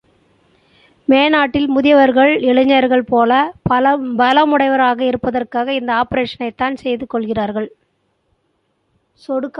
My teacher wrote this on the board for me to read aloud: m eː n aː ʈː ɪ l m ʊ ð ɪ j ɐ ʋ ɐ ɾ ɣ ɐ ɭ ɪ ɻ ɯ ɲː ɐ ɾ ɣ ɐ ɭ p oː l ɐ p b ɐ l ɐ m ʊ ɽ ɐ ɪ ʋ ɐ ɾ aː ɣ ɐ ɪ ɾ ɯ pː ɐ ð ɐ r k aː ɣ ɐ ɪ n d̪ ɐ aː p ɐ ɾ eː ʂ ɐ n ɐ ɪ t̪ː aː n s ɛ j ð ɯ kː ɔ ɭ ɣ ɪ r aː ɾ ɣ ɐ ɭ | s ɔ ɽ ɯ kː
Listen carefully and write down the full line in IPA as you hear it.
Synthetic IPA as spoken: m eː n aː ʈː ɪ l m ʊ ð ɪ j ɐ ʋ ɐ ɾ ɣ ɐ ɭ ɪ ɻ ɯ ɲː ɐ ɾ ɣ ɐ ɭ p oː l ɐ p b ɐ l ɐ m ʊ ɽ ɐ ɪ ʋ ɐ ɾ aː ɣ ɐ ɪ ɾ ɯ pː ɐ ð ɐ r k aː ɣ ɐ ɪ n d̪ ɐ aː p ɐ ɾ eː ʂ ɐ n ɐ ɪ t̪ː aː n s ɛ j ð ɯ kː ɔ ɭ ɣ ɪ r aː ɾ ɣ ɐ ɭ | s ɔ ɽ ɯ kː